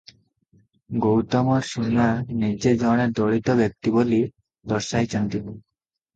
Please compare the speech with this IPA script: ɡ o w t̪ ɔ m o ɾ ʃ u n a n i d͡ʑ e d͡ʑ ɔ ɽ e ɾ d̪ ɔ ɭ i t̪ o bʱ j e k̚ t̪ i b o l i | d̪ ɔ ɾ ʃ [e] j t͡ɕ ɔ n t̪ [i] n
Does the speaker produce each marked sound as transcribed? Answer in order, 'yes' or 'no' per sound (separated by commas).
no, yes